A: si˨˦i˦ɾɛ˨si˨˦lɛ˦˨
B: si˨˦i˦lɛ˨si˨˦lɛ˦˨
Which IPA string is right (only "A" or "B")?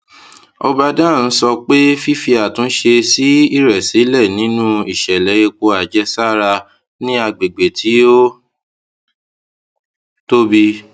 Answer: A